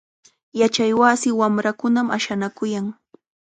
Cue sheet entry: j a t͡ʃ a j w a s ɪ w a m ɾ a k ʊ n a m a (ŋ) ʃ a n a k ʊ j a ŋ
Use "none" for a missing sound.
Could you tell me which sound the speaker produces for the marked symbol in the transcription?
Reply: none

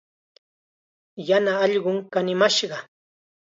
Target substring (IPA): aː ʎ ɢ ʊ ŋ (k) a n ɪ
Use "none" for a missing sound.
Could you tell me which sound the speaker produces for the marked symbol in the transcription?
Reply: k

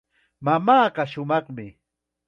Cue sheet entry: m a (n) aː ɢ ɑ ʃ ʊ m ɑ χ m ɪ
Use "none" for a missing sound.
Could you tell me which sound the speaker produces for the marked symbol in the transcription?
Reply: m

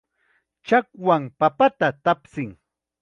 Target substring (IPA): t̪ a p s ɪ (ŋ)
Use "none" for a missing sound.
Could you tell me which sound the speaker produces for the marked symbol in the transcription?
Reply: ŋ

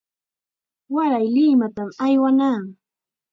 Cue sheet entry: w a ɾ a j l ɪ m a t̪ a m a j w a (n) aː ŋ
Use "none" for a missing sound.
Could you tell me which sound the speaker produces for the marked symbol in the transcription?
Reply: n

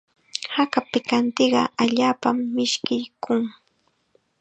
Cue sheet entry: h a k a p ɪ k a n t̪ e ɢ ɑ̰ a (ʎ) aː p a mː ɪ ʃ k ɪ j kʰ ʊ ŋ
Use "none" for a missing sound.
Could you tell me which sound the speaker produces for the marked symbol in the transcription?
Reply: ʎ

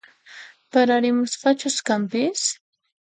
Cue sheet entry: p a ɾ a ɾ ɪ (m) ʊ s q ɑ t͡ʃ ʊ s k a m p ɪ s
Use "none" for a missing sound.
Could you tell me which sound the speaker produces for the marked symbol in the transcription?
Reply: m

